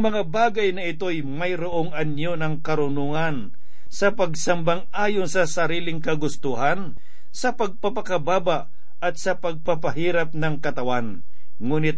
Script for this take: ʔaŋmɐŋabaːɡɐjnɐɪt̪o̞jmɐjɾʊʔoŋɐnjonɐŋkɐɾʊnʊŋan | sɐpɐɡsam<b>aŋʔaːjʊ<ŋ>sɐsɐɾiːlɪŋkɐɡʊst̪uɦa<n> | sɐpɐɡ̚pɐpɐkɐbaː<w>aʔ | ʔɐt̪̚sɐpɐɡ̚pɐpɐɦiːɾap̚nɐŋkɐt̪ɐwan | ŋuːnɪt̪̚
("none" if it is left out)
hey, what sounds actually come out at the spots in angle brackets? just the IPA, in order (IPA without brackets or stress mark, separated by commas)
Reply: b, n, n, b